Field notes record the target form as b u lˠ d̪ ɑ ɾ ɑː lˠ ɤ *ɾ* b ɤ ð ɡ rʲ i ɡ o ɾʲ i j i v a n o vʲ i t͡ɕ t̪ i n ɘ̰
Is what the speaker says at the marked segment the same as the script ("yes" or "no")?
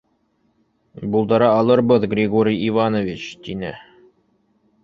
yes